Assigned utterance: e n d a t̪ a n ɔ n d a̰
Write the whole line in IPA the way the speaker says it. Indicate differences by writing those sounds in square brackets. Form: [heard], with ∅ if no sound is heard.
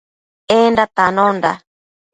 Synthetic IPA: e n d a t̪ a n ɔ n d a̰